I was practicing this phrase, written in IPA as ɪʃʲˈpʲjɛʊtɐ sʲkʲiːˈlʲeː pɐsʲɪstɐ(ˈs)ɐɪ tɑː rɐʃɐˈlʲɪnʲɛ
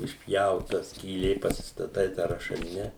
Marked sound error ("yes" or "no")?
yes